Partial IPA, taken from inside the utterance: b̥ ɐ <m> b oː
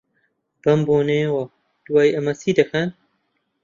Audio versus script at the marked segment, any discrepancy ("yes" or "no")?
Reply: no